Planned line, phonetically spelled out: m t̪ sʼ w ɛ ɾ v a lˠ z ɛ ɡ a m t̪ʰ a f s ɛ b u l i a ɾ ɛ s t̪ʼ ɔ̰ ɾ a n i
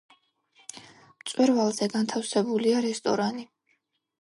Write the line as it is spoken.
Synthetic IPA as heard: m t̪ sʼ w ɛ ɾ v a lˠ z ɛ ɡ a n t̪ʰ a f s ɛ b u l i a ɾ ɛ s t̪ʼ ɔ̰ ɾ a n i